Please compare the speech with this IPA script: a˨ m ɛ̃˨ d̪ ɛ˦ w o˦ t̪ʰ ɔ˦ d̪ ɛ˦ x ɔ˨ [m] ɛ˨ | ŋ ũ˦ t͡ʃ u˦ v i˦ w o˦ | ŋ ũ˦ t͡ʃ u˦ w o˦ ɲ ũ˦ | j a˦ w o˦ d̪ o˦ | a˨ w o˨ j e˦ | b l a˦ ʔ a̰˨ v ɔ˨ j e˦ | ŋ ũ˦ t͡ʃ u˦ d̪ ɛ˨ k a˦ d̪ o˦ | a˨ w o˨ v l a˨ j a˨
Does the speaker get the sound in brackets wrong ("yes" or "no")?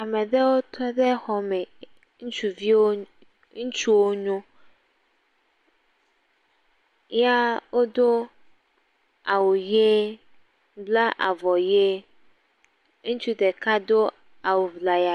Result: no